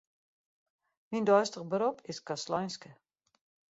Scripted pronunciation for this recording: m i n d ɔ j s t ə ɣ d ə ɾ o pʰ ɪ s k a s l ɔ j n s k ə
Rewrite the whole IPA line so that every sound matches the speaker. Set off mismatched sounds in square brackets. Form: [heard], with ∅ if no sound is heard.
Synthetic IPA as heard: m i n d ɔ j s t ə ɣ [b] ə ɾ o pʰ ɪ s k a s l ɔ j n s k ə